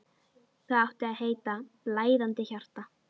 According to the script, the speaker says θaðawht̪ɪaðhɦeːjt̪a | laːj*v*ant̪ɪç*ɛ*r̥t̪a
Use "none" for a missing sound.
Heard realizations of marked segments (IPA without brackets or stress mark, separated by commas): ð, a